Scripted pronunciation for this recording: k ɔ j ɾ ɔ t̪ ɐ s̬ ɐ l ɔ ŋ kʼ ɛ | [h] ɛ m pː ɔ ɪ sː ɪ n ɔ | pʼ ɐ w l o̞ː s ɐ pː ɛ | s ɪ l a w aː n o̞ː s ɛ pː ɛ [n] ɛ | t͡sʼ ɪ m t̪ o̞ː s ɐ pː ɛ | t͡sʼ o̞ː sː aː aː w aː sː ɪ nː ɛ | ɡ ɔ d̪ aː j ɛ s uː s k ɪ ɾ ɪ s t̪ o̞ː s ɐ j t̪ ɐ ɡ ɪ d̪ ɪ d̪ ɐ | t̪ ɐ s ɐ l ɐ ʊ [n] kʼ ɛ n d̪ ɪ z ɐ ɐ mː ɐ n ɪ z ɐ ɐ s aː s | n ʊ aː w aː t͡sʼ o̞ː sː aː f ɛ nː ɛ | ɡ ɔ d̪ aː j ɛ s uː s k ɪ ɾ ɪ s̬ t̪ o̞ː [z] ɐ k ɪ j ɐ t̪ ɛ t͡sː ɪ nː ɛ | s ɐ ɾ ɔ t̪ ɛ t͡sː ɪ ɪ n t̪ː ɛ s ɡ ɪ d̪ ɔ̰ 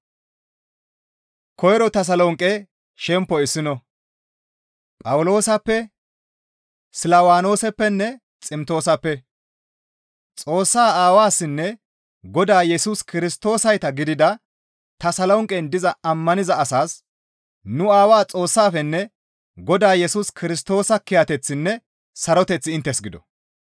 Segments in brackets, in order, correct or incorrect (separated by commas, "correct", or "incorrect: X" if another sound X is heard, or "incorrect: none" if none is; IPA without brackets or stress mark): incorrect: ʃ, incorrect: nː, incorrect: ŋ, incorrect: s